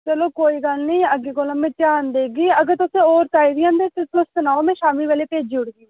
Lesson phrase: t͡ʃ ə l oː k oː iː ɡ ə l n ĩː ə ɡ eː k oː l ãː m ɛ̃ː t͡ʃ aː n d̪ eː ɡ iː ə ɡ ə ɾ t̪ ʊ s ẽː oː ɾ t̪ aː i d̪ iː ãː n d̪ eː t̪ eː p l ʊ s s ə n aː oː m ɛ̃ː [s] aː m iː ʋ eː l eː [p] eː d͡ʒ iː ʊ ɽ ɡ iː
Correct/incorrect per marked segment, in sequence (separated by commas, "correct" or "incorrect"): incorrect, correct